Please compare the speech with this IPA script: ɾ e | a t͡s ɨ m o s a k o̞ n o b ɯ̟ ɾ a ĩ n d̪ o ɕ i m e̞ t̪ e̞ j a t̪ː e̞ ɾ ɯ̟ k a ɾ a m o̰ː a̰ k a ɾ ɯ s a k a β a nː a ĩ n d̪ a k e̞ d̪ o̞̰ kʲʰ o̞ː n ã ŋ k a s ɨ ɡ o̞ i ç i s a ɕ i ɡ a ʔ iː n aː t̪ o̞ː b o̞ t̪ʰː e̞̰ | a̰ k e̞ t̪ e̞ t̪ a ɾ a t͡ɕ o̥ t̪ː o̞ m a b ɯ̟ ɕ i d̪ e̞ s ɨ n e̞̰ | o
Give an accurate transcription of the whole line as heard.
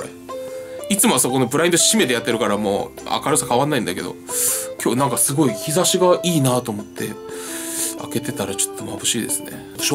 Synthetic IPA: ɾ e | i t͡s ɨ m o s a k o̞ n o b ɯ̟ ɾ a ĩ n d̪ o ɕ i m e̞ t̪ e̞ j a t̪ː e̞ ɾ ɯ̟ k a ɾ a m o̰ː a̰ k a ɾ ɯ s a k a β a nː a ĩ n d̪ a k e̞ d̪ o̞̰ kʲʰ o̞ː n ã ŋ k a s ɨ ɡ o̞ i ç i z a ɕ i ɡ a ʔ iː n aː t̪ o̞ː m o̞ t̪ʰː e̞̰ | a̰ k e̞ t̪ e̞ t̪ a ɾ a t͡ɕ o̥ t̪ː o̞ m a b ɯ̟ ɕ iː d̪ e̞ s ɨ n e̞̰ | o